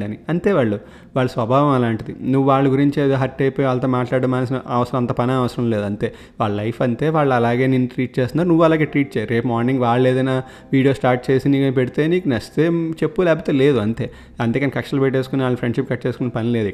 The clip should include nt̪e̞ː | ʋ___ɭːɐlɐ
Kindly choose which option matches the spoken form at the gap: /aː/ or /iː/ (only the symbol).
aː